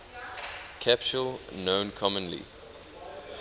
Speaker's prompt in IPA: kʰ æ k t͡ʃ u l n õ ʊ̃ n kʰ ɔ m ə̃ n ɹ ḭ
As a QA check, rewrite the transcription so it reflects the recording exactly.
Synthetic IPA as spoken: kʰ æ p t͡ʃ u l n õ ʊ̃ n kʰ ɔ m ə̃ n l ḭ